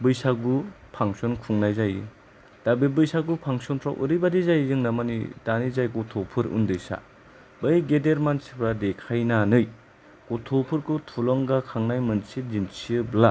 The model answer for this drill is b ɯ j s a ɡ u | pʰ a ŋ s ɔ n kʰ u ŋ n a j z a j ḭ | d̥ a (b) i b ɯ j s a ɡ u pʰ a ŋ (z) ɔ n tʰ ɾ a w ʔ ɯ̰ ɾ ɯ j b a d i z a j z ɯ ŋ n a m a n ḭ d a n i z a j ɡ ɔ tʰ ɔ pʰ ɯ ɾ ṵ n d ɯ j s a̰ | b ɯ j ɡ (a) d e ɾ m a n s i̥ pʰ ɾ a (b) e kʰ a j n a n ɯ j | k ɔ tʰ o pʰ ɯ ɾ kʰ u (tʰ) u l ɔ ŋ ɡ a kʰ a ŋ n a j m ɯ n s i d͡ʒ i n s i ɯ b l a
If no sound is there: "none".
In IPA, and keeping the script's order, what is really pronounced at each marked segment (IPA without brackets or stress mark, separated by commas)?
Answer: b, s, e, d, tʰ